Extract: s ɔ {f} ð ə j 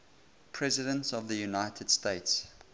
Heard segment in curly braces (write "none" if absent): v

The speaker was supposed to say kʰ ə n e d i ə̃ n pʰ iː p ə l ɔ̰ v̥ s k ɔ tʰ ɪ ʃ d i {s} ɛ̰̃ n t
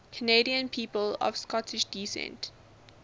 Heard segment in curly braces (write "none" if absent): s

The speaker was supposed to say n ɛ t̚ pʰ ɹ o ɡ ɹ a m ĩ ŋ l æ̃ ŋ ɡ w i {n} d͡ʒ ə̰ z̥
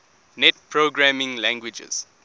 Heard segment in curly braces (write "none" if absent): none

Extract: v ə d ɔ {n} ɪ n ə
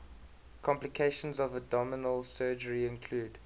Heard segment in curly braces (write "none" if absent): m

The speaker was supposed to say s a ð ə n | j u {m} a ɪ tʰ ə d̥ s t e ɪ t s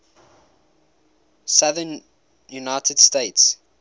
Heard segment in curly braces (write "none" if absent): n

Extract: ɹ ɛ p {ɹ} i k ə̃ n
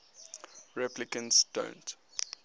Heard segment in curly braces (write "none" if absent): l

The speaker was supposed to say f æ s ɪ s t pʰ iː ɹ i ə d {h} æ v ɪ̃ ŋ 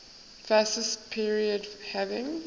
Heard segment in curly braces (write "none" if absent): h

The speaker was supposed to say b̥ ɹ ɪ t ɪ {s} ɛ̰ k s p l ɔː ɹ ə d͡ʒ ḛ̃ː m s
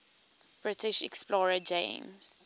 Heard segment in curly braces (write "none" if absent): ʃ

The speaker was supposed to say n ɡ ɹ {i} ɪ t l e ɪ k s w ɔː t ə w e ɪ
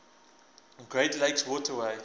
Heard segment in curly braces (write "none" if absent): e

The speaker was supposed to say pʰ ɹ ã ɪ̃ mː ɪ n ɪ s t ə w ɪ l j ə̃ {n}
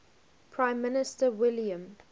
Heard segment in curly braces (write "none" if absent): m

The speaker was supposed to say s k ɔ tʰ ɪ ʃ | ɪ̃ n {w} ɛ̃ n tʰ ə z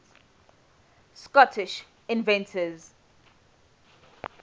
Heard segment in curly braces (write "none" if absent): v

